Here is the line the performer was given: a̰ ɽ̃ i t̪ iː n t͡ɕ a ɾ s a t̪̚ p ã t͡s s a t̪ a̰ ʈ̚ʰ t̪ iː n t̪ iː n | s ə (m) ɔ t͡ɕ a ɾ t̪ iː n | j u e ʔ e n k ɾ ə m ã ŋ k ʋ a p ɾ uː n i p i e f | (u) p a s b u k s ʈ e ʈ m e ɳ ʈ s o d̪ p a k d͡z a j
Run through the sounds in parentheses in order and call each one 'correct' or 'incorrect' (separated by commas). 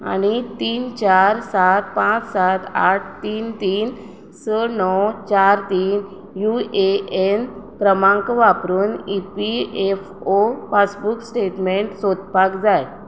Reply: incorrect, incorrect